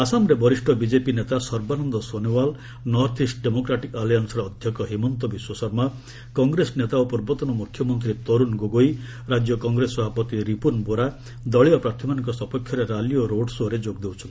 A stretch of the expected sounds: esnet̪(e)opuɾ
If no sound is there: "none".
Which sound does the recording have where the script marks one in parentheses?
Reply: a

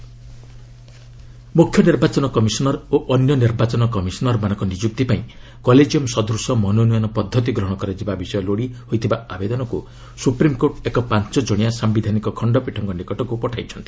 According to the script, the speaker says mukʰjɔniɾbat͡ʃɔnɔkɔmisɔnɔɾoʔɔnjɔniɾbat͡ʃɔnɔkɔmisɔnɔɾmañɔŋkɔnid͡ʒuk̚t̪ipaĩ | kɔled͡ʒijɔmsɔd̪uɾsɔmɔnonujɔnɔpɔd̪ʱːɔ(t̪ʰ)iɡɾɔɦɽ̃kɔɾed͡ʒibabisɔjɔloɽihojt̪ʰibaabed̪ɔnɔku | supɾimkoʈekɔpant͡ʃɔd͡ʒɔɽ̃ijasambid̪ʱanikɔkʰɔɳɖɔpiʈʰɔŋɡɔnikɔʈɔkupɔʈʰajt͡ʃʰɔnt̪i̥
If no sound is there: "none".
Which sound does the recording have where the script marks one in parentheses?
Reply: t̪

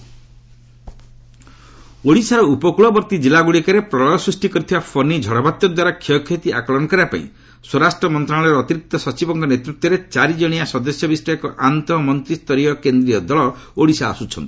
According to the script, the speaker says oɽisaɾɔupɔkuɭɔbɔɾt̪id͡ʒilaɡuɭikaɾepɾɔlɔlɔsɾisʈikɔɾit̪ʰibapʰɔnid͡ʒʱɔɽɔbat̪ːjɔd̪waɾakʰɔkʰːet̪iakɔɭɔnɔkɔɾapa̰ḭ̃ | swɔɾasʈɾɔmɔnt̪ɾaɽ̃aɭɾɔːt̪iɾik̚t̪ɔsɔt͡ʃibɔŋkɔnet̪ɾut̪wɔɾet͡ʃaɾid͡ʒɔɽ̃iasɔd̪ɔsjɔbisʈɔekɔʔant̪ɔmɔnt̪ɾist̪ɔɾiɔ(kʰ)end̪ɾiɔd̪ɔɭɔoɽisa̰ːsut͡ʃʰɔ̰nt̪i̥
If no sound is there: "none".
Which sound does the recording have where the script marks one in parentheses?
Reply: k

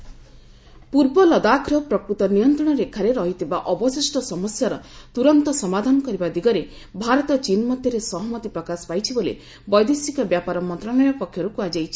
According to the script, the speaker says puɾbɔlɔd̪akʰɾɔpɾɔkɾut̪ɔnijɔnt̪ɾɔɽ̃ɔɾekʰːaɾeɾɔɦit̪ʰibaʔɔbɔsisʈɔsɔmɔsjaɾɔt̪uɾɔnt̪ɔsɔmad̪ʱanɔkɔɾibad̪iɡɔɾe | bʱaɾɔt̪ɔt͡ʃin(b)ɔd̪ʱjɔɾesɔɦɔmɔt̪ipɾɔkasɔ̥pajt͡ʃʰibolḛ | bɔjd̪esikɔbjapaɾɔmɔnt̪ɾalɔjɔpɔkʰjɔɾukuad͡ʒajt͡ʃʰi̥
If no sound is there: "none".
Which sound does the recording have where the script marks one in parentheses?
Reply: m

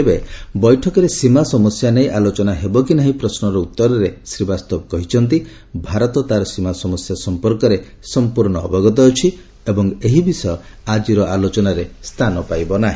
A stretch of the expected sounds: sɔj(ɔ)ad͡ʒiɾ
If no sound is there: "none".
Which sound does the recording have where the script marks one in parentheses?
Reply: ɔ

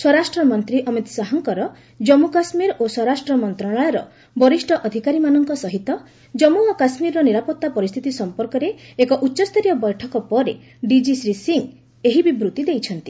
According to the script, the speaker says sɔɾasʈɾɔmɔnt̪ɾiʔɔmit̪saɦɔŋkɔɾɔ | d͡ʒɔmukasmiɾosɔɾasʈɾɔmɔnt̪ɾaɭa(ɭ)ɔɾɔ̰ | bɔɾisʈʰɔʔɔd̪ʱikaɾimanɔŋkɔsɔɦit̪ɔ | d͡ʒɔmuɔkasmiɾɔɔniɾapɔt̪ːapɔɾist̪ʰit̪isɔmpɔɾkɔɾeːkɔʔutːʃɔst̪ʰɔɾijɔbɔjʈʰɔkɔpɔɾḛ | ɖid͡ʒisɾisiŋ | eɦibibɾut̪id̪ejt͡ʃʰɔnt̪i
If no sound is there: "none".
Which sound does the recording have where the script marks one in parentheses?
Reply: ɭ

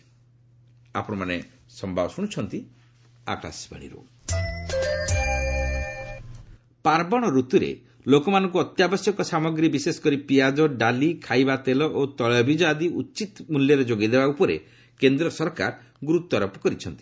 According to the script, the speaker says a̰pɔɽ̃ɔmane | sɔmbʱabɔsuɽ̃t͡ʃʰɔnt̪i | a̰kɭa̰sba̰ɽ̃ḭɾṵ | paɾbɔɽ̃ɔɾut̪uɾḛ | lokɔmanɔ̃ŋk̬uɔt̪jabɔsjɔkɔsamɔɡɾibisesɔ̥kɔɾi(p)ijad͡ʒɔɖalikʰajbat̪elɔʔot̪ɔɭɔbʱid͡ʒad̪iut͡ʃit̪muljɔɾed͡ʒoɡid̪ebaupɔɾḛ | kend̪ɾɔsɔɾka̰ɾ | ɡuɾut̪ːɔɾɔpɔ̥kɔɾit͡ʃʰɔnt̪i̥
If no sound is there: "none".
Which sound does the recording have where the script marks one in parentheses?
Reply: p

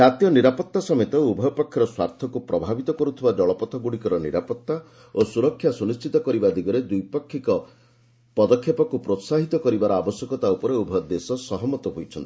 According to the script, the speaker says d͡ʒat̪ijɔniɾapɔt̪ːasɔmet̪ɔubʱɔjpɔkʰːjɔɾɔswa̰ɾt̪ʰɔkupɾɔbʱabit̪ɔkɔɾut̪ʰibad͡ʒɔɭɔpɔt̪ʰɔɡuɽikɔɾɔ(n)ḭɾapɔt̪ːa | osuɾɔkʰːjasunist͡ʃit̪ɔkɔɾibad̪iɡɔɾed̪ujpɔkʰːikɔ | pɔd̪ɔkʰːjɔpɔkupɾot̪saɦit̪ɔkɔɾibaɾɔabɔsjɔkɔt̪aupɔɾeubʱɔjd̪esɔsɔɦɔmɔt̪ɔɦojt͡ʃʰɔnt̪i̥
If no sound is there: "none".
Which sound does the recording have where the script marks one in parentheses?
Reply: n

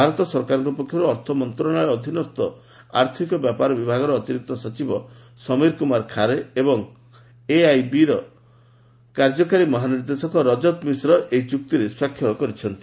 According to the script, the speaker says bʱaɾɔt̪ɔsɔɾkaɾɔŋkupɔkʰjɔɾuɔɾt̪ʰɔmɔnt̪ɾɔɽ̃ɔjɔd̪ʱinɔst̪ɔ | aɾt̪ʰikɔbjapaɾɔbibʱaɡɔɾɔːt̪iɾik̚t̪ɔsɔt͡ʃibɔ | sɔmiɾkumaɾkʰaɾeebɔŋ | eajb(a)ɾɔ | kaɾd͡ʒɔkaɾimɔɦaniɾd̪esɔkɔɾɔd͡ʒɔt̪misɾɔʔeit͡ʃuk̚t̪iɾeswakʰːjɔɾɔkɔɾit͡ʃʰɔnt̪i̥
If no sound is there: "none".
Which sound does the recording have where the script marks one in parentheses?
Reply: i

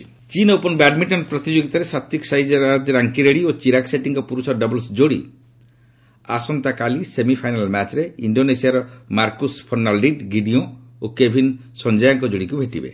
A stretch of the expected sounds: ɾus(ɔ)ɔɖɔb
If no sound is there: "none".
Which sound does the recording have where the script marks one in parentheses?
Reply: ɔ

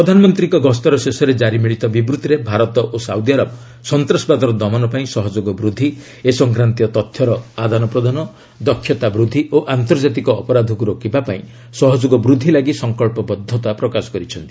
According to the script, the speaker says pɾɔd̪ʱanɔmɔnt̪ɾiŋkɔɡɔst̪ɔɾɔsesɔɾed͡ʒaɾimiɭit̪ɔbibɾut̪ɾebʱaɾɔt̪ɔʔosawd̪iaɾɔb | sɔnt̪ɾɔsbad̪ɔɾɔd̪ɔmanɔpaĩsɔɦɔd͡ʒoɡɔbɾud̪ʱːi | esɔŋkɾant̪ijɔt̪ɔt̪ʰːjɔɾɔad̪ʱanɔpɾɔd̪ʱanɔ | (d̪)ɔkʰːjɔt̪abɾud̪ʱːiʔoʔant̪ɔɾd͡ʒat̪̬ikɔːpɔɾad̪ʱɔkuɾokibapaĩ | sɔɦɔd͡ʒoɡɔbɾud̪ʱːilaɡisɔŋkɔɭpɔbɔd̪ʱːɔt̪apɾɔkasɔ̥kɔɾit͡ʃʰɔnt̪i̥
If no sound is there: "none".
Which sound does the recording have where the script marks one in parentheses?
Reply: d̪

